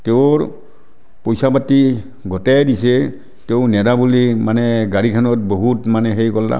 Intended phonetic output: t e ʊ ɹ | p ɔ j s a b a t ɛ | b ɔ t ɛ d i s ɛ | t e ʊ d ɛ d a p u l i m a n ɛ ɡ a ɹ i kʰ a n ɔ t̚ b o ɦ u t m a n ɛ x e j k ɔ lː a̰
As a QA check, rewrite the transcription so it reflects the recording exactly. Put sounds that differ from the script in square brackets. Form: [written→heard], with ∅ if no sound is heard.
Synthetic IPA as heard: t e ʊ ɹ | p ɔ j s a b a t [ɛ→i] | [b→ɡ] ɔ t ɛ d i s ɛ | t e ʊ [d→n] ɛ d a [p→b] u l i m a n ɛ ɡ a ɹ i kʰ a n ɔ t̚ b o ɦ u t m a n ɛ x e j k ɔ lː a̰

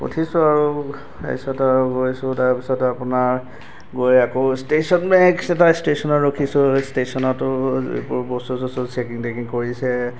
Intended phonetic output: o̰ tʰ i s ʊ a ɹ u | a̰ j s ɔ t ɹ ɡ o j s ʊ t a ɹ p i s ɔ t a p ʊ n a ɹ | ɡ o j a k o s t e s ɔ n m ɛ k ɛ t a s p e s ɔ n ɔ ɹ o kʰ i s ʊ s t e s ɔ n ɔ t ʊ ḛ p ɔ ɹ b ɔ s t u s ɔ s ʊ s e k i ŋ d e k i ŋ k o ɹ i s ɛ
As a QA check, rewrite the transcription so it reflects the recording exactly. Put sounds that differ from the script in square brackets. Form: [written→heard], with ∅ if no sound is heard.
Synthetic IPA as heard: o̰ tʰ i s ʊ a ɹ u | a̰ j s ɔ t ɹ ɡ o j s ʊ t a ɹ p i s ɔ t a p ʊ n a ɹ | ɡ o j a k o s t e s ɔ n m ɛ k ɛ t a s [p→t] e s ɔ n ɔ ɹ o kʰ i s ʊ s t e s ɔ n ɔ t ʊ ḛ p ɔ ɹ b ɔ s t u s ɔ s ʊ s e k i ŋ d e k i ŋ k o ɹ i s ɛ

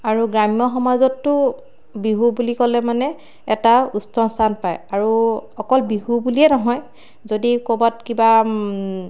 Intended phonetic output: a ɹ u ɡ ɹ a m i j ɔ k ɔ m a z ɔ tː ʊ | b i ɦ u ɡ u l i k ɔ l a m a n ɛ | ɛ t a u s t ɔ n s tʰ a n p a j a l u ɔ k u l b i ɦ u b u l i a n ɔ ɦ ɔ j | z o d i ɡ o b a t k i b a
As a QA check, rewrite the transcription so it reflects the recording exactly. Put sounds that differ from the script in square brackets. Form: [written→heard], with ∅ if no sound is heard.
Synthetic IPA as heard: a ɹ u ɡ ɹ a m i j ɔ [k→x] ɔ m a z ɔ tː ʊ | b i ɦ u [ɡ→b] u l i k ɔ l [a→ɛ] m a n ɛ | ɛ t a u s t ɔ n s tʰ a n p a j a [l→ɹ] u ɔ k [u→ɔ] l b i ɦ u b u l i [a→ɛ] n ɔ ɦ ɔ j | z o d i [ɡ→k] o b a t k i b a

